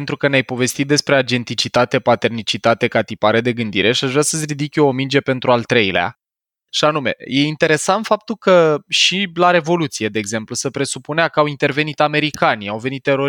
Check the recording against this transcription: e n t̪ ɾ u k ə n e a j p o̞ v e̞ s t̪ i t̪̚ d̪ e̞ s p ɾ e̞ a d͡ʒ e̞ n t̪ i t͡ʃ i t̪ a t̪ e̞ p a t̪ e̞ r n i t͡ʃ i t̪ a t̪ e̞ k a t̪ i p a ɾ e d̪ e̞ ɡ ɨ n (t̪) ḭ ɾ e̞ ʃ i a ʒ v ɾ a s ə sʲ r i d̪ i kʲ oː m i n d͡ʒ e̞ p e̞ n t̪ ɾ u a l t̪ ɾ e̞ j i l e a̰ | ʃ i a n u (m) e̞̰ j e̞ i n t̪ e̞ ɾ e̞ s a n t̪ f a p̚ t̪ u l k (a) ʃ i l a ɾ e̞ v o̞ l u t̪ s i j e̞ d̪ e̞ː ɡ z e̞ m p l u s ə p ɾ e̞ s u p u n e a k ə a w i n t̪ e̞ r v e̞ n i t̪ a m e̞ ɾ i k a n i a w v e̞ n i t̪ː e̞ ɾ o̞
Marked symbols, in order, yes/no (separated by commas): no, yes, no